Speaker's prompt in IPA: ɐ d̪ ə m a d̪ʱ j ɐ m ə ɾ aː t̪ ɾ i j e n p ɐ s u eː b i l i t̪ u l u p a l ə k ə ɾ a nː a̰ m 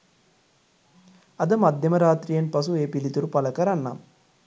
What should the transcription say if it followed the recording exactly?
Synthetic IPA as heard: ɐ d̪ ə m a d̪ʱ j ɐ m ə ɾ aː t̪ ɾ i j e n p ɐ s u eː p i l i t̪ u ɾ u p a l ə k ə ɾ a nː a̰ m